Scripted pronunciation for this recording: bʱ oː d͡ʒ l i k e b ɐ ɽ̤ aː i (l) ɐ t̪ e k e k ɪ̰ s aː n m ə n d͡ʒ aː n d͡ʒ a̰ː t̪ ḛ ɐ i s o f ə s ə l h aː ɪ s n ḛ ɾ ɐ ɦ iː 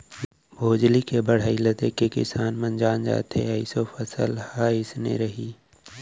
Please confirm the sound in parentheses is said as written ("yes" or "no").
yes